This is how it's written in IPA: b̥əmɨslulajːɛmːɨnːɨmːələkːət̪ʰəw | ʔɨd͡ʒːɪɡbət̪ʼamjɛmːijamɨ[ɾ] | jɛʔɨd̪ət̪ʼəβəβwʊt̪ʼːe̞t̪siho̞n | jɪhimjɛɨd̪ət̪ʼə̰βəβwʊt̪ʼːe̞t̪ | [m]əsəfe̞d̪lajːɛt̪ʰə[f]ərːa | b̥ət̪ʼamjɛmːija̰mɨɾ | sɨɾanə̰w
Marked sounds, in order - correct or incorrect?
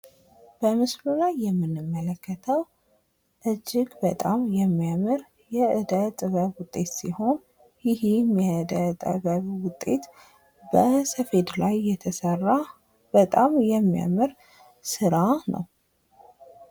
correct, incorrect, incorrect

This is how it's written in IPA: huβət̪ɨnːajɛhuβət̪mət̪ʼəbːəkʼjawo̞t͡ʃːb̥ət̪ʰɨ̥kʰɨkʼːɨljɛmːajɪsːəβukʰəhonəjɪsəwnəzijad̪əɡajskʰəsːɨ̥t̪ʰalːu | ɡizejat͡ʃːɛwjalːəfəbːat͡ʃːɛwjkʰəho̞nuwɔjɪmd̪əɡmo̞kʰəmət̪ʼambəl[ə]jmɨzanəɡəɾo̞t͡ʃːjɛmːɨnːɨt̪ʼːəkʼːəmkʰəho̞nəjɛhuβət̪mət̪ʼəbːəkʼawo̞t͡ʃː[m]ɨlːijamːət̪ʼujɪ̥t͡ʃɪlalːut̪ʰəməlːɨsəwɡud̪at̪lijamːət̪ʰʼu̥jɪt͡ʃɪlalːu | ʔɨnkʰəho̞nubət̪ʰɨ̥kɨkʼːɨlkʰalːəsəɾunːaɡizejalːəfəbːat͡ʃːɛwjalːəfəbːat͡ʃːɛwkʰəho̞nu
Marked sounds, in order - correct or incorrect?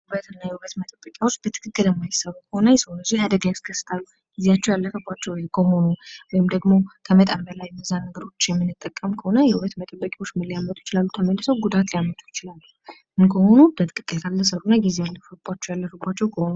incorrect, correct

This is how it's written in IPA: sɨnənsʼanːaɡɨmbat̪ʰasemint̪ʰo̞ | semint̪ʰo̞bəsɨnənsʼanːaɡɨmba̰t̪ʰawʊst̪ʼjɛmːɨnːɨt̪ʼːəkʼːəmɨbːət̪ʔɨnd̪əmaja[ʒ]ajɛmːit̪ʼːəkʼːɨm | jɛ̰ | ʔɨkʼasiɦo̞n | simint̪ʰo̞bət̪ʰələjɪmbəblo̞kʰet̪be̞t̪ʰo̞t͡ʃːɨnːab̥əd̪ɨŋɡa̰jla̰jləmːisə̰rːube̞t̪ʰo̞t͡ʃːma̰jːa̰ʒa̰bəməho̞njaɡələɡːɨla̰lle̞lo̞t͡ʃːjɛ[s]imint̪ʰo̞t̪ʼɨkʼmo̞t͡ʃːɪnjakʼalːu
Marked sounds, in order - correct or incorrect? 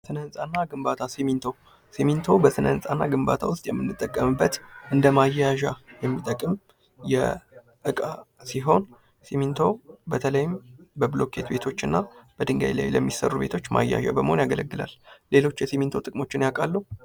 correct, correct

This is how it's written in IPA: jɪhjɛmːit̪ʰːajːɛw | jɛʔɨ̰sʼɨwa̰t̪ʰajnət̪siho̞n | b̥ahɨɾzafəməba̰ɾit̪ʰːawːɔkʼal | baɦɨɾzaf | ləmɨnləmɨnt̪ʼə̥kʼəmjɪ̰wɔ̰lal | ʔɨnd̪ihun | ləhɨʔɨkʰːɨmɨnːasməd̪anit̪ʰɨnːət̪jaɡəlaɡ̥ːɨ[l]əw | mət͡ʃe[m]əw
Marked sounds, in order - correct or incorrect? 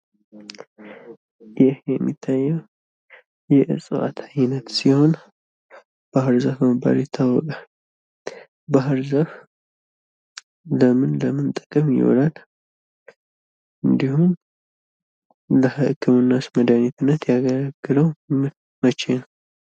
correct, incorrect

